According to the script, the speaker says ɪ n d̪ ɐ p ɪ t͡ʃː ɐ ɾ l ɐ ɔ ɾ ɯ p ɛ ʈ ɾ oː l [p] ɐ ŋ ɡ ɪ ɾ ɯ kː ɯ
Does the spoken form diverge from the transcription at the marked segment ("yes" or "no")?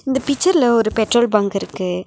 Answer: yes